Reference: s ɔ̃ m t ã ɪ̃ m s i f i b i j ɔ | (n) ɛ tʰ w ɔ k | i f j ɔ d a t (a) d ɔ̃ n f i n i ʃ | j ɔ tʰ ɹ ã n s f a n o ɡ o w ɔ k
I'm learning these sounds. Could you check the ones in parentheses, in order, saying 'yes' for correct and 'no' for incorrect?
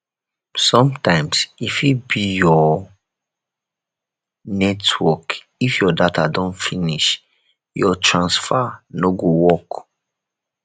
yes, yes

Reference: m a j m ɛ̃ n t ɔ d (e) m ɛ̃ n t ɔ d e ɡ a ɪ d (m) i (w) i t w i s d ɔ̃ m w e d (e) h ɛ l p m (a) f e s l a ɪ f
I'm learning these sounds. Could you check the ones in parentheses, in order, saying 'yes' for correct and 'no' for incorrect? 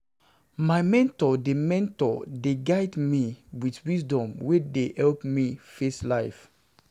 yes, yes, yes, yes, no

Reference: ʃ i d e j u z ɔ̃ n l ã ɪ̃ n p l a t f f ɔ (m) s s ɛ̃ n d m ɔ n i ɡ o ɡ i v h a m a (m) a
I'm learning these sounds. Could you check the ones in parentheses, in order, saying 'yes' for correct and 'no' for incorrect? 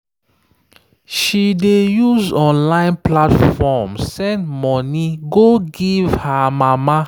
yes, yes

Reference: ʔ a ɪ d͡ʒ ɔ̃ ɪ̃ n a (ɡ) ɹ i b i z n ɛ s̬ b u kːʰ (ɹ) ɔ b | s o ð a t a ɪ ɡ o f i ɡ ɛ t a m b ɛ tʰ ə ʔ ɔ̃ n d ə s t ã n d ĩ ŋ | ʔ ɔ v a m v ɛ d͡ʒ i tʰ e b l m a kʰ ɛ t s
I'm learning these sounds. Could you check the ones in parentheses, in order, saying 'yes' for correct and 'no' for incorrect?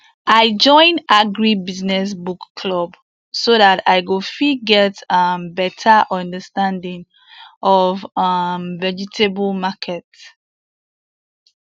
yes, no

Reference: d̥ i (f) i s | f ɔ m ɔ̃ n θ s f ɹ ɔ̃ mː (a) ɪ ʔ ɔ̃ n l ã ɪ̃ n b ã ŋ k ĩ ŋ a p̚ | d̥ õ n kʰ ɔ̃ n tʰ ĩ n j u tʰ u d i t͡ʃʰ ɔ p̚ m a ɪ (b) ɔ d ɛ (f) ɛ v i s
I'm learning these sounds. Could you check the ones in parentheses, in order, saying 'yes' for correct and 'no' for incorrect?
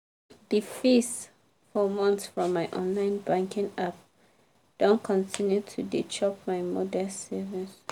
yes, yes, no, no

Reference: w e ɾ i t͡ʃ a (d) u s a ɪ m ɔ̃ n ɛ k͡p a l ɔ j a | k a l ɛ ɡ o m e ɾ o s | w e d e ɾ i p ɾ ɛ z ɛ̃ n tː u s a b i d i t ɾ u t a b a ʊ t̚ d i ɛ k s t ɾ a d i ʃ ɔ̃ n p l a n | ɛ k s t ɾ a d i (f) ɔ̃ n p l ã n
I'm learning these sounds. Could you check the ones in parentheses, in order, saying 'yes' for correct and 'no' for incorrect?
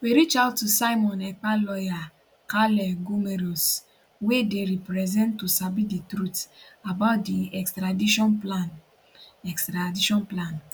no, no

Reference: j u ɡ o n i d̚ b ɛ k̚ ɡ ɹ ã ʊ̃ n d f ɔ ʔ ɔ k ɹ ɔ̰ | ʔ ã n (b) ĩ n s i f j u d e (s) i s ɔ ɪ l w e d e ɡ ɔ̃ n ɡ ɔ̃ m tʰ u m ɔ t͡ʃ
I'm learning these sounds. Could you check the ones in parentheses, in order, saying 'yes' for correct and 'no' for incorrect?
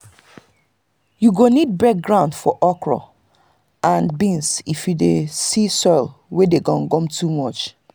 yes, yes

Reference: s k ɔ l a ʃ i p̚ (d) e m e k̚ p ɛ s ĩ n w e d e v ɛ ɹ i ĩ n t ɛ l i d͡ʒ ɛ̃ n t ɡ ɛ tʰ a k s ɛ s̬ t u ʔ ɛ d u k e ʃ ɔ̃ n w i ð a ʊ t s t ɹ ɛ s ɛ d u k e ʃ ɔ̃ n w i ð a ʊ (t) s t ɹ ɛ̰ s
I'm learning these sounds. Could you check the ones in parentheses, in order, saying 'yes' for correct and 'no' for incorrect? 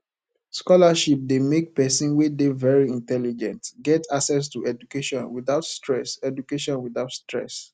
yes, yes

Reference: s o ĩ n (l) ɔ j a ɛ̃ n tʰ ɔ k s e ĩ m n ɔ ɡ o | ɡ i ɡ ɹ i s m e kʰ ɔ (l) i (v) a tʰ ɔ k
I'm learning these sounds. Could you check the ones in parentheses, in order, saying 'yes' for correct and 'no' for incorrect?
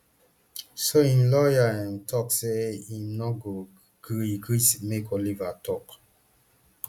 yes, yes, yes

